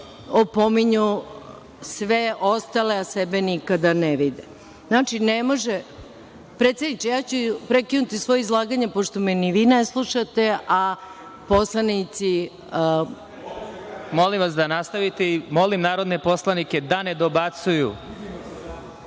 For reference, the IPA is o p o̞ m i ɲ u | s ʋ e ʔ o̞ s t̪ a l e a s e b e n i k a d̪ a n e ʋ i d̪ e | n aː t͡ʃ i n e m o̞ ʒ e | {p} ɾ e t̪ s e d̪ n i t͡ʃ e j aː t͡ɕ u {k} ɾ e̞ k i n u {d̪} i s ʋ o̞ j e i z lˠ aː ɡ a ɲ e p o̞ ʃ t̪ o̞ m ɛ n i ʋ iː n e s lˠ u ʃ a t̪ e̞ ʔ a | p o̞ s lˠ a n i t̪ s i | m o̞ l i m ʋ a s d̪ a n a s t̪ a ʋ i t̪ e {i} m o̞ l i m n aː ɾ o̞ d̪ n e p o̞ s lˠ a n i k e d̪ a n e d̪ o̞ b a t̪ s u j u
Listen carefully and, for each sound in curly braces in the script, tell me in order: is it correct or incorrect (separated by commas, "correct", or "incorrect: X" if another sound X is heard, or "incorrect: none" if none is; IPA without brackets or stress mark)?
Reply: correct, incorrect: p, incorrect: t̪, correct